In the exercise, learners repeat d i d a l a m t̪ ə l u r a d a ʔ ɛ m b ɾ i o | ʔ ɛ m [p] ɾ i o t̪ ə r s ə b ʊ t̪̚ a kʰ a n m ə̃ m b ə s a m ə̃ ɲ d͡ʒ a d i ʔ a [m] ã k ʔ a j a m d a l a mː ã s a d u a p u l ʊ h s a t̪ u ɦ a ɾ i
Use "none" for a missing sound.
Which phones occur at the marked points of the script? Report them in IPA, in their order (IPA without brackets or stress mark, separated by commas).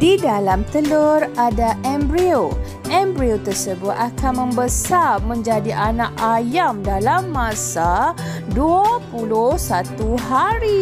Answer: b, n